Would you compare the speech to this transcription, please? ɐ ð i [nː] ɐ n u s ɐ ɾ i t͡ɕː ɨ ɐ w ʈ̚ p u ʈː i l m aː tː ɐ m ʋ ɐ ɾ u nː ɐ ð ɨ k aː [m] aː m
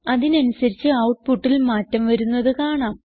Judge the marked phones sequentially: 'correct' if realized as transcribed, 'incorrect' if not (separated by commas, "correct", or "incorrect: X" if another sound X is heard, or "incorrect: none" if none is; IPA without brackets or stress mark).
incorrect: n, incorrect: ɳ